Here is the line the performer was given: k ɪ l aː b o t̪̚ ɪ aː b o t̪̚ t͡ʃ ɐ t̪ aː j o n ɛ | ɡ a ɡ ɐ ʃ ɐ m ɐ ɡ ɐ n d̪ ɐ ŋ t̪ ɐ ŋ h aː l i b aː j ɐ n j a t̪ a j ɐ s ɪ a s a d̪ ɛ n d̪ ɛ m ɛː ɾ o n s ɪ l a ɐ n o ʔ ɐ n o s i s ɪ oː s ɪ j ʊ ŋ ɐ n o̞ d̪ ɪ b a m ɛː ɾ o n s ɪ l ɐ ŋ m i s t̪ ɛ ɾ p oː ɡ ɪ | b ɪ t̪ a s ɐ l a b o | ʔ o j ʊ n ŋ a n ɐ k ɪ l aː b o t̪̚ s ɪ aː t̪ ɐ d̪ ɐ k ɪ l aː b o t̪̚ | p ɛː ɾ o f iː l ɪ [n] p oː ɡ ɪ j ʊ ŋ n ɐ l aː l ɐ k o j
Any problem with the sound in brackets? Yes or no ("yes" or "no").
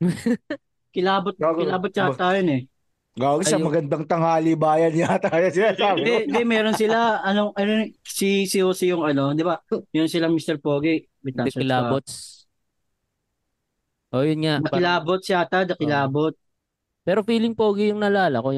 yes